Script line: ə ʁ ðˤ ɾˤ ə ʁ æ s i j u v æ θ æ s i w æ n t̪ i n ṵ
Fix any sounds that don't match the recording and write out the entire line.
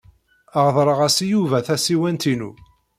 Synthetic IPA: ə ʁ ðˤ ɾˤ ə ʁ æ s i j u v æ θ æ s i w æ n t̪ i n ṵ